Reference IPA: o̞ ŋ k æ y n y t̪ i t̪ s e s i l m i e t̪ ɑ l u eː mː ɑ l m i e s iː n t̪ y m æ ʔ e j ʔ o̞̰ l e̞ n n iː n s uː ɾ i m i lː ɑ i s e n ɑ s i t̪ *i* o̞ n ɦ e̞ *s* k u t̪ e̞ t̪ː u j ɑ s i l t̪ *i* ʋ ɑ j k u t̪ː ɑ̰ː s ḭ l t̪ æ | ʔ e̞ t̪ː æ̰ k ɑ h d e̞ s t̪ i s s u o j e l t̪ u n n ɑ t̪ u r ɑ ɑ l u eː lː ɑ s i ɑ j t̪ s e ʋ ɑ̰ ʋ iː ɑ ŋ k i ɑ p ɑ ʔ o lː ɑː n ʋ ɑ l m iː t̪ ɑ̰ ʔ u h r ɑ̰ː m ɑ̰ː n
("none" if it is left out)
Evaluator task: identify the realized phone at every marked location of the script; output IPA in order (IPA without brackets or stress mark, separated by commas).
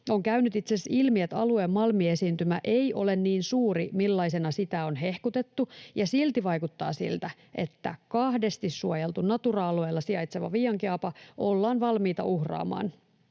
æ, h, i